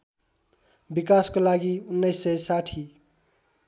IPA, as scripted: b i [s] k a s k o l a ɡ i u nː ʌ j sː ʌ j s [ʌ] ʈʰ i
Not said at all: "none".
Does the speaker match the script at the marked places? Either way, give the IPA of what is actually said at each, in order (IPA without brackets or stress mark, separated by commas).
none, a